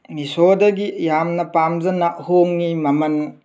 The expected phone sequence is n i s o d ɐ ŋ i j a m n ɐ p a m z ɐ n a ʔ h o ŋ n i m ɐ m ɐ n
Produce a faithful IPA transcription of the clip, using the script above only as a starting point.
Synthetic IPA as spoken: n i s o d ɐ ɡ i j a m n ɐ p a m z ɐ n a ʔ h o ŋ n i m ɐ m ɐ n